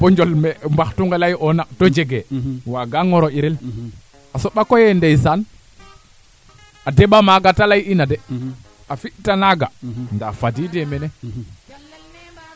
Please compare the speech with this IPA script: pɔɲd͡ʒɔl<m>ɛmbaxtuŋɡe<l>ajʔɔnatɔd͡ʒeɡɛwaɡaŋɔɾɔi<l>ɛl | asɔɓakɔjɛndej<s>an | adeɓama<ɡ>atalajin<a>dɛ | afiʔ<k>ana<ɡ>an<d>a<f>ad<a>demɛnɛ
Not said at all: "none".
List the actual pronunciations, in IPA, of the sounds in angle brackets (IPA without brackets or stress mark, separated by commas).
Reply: m, l, ɾ, s, ɡ, a, t, ɡ, d, f, i